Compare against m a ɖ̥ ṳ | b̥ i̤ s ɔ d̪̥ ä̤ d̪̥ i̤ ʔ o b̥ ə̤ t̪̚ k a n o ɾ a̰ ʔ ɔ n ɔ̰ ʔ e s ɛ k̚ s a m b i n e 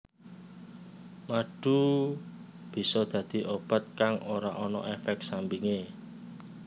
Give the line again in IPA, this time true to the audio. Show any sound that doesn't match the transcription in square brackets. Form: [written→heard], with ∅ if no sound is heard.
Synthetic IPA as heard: m a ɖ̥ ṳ | b̥ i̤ s ɔ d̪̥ ä̤ d̪̥ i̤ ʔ o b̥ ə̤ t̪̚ k a [n→ŋ] o ɾ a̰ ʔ ɔ n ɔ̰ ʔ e [s→f] ɛ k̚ s a m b i [n→ŋ] e